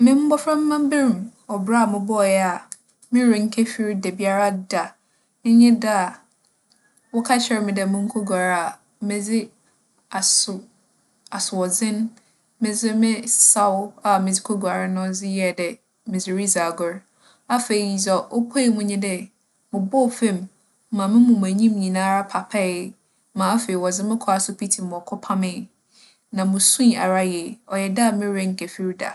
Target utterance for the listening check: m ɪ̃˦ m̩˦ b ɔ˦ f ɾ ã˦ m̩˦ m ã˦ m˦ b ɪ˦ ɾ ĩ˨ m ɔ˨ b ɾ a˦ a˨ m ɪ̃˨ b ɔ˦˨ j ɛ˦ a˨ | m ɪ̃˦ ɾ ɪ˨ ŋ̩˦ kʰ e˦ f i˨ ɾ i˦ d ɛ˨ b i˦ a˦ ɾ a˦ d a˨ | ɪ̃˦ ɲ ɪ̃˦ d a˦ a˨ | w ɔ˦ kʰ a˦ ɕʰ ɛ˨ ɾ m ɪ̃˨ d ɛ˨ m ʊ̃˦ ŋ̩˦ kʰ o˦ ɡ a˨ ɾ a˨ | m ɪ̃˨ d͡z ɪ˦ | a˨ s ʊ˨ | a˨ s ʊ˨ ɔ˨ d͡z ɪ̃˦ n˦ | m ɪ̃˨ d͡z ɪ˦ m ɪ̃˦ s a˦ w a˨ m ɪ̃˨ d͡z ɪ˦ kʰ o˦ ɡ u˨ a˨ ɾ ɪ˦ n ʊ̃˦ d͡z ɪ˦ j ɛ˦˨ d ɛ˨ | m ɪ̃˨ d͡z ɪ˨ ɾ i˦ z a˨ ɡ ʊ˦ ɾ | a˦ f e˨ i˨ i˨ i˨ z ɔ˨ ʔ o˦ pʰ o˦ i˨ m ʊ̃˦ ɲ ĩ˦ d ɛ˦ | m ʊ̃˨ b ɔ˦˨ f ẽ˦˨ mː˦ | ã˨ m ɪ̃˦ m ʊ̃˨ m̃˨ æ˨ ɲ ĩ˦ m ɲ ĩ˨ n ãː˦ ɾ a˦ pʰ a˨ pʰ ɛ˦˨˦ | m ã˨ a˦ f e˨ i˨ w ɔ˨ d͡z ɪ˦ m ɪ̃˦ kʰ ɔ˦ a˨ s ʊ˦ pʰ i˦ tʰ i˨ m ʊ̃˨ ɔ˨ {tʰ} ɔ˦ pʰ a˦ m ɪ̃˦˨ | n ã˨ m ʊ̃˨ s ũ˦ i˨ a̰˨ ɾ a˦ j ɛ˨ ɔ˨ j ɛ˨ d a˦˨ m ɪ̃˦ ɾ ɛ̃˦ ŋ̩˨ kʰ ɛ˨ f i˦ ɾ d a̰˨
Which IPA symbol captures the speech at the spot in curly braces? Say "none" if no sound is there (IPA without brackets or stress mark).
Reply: kʰ